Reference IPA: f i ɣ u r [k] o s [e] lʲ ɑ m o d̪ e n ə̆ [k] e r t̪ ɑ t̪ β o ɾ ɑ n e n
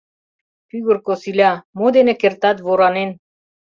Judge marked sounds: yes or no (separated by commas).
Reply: yes, no, yes